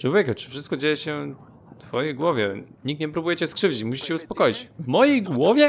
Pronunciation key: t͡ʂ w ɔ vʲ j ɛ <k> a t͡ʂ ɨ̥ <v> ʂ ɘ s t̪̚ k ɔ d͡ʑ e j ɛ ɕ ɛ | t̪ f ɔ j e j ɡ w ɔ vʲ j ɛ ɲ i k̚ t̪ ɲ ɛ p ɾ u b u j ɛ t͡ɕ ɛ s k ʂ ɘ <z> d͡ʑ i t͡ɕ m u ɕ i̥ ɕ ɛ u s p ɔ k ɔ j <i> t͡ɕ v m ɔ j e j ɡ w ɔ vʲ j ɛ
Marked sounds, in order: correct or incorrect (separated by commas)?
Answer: correct, incorrect, incorrect, correct